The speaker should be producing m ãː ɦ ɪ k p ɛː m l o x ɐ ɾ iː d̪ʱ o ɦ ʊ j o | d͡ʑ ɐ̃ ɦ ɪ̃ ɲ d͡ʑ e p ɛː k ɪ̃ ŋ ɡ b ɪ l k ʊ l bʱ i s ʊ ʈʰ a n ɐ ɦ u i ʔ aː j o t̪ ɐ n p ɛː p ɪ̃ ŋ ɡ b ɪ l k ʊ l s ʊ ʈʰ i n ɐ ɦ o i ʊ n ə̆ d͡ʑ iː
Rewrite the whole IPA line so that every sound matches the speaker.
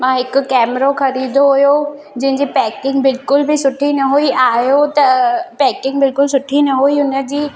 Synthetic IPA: m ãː ɦ ɪ k k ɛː m ɾ o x ɐ ɾ iː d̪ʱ o ɦ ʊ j o | d͡ʑ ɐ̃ ɦ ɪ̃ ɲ d͡ʑ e p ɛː k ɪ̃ ŋ ɡ b ɪ l k ʊ l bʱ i s ʊ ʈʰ i n ɐ ɦ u i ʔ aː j o t̪ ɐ p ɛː k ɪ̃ ŋ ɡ b ɪ l k ʊ l s ʊ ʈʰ i n ɐ ɦ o i ʊ n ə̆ d͡ʑ iː